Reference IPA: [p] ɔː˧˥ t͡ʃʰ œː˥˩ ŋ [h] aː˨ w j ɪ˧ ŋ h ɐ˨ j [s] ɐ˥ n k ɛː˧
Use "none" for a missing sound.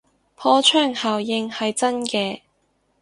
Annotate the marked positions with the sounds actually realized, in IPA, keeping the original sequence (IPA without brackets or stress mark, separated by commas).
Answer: pʰ, h, t͡s